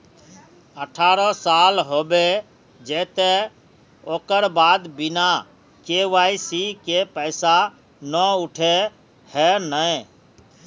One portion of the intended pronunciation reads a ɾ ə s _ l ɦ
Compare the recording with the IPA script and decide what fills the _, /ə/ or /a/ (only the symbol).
a